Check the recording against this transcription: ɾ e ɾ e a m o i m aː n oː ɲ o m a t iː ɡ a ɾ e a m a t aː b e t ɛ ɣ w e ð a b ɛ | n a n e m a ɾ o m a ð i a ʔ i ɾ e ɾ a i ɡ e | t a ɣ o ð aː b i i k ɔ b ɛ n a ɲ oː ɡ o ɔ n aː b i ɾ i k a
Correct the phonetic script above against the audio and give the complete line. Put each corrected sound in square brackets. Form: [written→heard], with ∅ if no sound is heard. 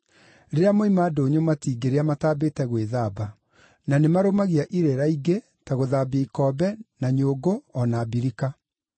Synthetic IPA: ɾ e ɾ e a m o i m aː [n→d] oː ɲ o m a t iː ɡ [a→e] ɾ e a m a t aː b e t ɛ ɣ w e ð a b [ɛ→a] | n a n e m a ɾ o m a [ð→ɣ] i a ʔ i ɾ e ɾ a i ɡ e | t a ɣ o ð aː b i i k ɔ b ɛ n a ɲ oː ɡ o ɔ n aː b i ɾ i k a